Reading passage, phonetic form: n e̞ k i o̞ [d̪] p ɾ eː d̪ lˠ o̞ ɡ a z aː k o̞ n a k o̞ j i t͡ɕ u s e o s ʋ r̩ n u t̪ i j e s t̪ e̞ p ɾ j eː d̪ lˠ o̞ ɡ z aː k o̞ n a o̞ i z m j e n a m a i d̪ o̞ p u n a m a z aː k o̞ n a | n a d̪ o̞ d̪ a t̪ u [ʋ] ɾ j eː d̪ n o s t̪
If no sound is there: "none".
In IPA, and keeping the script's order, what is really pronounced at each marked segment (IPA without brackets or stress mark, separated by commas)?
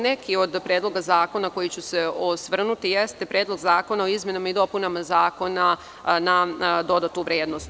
d̪, ʋ